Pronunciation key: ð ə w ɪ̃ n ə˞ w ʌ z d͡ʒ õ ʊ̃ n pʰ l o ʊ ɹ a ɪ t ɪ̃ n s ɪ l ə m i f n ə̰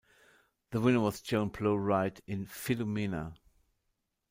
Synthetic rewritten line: ð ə w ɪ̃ n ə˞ w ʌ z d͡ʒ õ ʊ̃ n pʰ l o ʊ ɹ a ɪ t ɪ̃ n f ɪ l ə m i n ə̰